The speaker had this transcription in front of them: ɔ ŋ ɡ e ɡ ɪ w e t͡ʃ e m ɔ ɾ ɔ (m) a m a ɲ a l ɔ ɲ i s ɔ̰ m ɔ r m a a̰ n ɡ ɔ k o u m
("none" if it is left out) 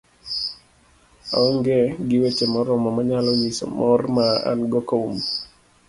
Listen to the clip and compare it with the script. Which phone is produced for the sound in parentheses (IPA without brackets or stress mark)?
m